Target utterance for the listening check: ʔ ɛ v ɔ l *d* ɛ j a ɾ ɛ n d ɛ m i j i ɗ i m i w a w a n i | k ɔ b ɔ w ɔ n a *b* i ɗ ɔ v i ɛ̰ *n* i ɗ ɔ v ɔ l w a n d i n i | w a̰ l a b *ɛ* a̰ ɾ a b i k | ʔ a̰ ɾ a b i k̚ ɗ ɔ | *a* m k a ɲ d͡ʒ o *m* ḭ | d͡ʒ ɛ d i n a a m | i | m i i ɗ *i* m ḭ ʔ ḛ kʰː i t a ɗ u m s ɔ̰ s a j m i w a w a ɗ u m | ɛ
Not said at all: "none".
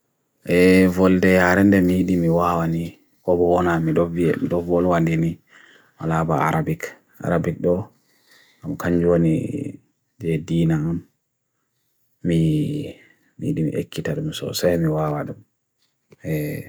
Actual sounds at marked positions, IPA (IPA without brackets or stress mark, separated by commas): d, m, m, a, a, n, i